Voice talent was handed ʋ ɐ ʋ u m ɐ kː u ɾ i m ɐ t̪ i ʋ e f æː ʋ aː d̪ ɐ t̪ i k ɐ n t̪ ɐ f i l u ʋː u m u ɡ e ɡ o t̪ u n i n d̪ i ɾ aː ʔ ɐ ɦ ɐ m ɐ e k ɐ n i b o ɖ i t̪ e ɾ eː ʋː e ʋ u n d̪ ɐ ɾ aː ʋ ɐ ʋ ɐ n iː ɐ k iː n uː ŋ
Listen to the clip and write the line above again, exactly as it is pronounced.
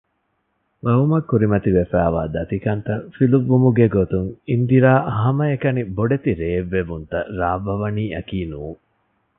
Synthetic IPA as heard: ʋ ɐ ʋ u m ɐ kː u ɾ i m ɐ t̪ i ʋ e f æː ʋ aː d̪ ɐ t̪ i k ɐ n t̪ ɐ f i l u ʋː u m u ɡ e ɡ o t̪ u ŋ i n d̪ i ɾ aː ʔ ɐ ɦ ɐ m ɐ e k ɐ n i b o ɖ e t̪ i ɾ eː ʋː e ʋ u n t̪ ɐ ɾ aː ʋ ɐ ʋ ɐ n iː ɐ k iː n uː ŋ